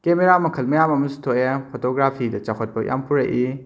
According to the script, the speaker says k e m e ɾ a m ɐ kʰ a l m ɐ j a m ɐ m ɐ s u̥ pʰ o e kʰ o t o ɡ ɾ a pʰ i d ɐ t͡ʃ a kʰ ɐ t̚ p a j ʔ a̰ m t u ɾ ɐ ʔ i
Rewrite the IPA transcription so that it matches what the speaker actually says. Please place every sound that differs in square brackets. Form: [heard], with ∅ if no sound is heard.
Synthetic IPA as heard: k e m e ɾ a m ɐ kʰ [ɐ] l m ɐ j a m ɐ m ɐ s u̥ [tʰ] o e [pʰ] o t o ɡ ɾ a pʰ i d ɐ t͡ʃ a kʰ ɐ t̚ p [ɐ] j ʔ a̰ m [p] u ɾ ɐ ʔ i